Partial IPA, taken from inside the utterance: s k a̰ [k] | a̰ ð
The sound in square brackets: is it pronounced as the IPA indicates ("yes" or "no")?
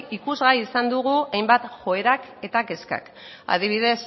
yes